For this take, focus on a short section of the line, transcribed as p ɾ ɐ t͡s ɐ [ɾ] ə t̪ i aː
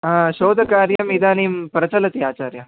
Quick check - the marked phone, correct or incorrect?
incorrect